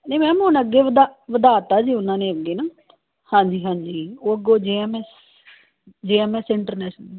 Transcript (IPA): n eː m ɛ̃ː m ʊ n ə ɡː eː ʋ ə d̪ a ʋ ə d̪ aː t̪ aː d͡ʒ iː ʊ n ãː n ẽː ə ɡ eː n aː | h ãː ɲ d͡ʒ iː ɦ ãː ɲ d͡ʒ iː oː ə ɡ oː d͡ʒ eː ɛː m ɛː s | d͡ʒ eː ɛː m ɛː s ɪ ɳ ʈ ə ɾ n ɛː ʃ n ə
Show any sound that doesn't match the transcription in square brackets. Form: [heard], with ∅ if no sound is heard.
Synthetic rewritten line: n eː m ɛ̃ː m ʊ n ə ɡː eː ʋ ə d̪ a ʋ ə d̪ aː t̪ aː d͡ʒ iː ʊ n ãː n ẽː ə ɡ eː n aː | h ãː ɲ d͡ʒ iː ɦ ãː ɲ d͡ʒ iː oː ə ɡ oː d͡ʒ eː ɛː m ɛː s | d͡ʒ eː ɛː m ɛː s ɪ ɳ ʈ ə ɾ n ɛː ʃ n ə